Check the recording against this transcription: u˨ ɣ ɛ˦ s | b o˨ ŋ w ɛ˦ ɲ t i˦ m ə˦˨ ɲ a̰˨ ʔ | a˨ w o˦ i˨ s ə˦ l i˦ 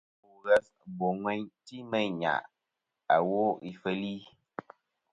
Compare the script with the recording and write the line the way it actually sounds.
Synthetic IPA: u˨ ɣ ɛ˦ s | b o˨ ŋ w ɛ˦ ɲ t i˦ m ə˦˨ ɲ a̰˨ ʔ | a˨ w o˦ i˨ f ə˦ l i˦